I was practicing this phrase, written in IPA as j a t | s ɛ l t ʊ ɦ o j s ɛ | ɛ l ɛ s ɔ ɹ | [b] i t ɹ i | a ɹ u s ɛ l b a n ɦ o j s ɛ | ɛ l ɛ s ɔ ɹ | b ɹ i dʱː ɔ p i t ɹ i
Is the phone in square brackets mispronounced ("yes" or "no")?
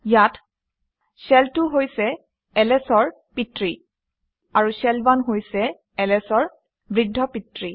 yes